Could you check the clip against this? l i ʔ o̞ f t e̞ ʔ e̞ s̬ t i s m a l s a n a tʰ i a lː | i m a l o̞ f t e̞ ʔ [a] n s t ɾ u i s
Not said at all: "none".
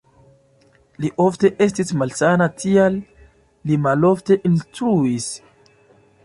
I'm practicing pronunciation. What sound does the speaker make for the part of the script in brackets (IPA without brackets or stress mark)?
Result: i